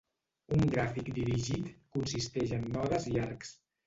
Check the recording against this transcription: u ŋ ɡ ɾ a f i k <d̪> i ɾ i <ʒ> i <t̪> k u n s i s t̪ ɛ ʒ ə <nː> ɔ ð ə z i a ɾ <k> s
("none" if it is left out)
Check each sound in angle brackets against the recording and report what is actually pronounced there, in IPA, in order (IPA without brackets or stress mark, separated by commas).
d̪, ʒ, t̪, nː, k